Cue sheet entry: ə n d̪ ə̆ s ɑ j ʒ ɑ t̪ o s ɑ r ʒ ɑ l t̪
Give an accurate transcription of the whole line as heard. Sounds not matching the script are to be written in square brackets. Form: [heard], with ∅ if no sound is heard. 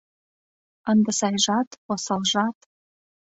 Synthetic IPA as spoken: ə n d̪ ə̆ s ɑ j ʒ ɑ t̪ o s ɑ [l] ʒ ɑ [∅] t̪